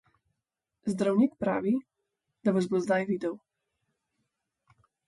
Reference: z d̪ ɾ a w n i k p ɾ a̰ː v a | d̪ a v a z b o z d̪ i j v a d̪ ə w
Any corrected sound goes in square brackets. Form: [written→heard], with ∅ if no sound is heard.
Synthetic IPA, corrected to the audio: z d̪ ɾ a w n i k p ɾ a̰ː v [a→i] | d̪ a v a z b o z d̪ [i→a] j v [a→i] d̪ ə w